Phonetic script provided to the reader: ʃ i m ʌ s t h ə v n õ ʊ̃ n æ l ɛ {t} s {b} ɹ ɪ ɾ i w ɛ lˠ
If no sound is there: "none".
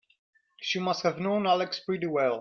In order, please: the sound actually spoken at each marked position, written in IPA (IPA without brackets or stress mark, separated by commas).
k, p